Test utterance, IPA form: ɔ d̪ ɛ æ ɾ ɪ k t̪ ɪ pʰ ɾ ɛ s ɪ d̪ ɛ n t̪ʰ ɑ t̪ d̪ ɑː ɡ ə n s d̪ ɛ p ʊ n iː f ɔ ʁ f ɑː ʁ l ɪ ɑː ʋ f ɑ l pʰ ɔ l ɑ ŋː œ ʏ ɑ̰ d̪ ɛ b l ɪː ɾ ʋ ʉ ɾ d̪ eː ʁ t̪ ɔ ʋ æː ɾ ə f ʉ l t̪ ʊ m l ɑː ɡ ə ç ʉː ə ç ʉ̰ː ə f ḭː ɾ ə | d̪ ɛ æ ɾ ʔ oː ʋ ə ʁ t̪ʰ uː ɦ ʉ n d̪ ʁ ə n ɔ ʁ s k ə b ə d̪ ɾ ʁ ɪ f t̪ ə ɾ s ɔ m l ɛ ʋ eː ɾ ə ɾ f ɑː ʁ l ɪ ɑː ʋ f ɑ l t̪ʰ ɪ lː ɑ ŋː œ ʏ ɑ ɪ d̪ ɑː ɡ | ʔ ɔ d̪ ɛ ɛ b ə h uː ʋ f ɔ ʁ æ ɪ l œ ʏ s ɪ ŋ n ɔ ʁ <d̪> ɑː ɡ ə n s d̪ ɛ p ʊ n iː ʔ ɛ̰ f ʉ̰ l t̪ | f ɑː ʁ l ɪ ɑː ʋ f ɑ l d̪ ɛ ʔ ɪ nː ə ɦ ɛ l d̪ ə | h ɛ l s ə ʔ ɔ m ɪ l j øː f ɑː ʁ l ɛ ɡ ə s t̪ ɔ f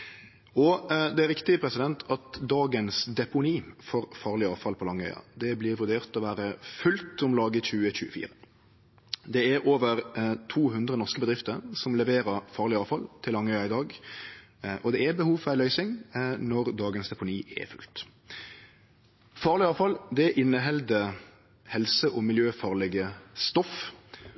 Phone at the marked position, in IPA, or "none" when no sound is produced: d̪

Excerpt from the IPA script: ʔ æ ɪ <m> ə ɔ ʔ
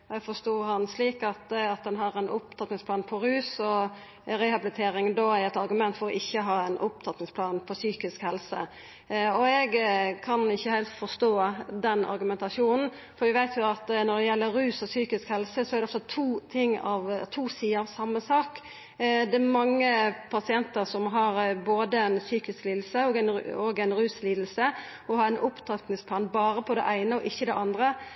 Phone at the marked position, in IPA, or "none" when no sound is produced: n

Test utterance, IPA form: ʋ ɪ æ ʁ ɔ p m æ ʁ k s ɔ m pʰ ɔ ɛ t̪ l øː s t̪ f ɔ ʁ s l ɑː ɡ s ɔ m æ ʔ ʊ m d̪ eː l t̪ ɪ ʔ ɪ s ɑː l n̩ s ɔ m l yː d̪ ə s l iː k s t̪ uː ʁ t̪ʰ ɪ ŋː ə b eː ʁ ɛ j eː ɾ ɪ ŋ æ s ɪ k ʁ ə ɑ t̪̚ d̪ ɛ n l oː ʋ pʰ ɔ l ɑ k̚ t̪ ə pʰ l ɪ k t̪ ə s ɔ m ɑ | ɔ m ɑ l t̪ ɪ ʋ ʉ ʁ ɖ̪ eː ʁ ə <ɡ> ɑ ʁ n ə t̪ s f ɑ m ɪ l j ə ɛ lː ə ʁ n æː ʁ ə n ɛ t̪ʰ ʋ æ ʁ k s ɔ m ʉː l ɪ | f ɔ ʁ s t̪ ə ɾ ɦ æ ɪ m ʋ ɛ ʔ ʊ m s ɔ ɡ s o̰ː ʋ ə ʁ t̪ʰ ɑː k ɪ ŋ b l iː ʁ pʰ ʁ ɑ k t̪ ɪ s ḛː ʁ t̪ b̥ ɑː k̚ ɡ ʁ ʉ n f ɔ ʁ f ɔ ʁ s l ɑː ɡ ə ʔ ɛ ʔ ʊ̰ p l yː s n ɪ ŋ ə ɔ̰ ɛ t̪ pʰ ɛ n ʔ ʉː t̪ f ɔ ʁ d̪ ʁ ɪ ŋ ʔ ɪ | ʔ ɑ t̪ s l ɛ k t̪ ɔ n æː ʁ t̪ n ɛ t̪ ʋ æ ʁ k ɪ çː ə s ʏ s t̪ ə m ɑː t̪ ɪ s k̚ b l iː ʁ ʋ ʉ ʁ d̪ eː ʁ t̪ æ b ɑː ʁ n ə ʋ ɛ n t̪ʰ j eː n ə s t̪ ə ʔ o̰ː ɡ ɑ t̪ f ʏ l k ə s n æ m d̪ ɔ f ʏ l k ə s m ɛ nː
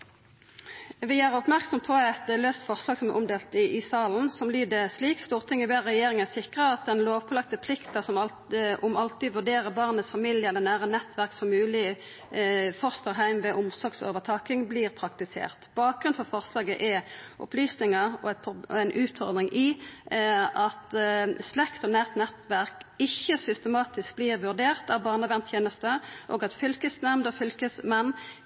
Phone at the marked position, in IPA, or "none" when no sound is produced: b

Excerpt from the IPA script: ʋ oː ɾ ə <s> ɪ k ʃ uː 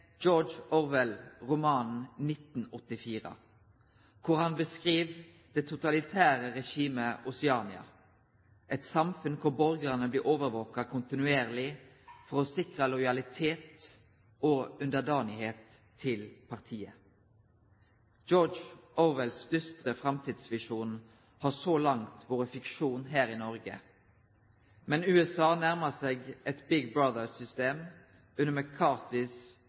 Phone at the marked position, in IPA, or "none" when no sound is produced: f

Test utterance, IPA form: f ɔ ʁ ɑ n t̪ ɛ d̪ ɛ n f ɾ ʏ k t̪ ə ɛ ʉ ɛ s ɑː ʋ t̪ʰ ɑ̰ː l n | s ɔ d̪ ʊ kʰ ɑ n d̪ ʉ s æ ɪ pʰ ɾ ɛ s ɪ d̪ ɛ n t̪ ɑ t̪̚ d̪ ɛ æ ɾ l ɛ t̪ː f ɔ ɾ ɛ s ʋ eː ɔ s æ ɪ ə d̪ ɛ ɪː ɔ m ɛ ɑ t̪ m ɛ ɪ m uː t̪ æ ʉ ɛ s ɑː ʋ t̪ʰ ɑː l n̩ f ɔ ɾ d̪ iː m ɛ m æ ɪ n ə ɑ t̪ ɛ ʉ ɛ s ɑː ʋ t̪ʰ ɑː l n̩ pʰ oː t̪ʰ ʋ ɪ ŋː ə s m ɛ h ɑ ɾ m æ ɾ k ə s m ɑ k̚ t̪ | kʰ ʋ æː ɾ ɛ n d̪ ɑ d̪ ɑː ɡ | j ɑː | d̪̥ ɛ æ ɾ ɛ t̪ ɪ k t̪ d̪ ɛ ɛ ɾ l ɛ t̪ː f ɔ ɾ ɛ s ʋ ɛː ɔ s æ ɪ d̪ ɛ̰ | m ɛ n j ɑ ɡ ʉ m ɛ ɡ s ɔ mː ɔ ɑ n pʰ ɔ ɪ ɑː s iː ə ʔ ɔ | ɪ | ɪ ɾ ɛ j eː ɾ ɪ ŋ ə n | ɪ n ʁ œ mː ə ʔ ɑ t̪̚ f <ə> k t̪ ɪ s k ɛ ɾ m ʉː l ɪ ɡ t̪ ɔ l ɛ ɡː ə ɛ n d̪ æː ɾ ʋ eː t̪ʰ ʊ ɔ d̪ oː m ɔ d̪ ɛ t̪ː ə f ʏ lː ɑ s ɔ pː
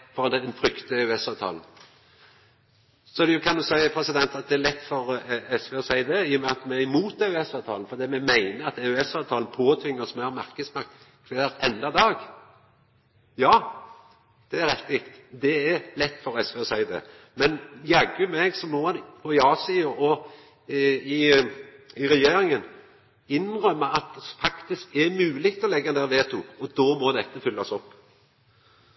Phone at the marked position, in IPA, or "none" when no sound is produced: ɑ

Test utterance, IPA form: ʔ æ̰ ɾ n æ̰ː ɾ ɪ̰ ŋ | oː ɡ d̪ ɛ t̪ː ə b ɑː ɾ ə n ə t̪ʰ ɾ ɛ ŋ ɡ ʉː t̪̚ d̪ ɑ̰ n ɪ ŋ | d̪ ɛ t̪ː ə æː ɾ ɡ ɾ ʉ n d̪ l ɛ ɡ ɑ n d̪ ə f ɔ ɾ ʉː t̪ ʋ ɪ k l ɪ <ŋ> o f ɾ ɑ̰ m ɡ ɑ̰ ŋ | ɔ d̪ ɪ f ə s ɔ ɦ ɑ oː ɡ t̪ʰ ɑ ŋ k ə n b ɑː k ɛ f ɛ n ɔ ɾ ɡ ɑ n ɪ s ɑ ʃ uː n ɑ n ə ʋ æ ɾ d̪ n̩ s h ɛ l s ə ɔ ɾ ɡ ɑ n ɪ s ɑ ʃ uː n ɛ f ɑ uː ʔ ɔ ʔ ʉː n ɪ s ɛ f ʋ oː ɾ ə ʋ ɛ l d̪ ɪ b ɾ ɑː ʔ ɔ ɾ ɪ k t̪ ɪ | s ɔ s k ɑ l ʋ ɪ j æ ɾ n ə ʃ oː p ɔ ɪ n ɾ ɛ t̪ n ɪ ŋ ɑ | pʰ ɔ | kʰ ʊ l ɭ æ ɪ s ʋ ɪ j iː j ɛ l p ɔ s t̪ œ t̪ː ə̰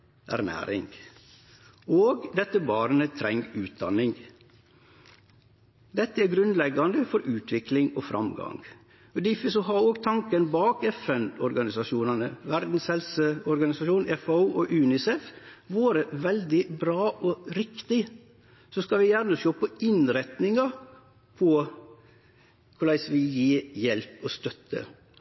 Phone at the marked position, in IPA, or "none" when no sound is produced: ŋ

